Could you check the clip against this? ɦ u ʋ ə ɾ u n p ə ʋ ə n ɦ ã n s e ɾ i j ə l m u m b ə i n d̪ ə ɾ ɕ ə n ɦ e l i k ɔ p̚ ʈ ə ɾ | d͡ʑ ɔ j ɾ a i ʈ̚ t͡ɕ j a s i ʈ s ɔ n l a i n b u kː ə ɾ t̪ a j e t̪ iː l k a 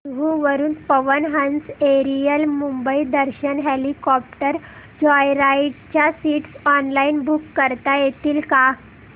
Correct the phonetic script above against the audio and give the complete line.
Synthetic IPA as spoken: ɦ u ʋ ə ɾ uː n p ə ʋ ə n ɦ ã n s e ɾ i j ə l m u m b ə i d̪ ə ɾ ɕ ə n ɦ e l i k ɔ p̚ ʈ ə ɾ | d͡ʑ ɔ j ɾ a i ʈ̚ t͡ɕ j a s i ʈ s ɔ n l a i n b u kː ə ɾ t̪ a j e t̪ iː l k a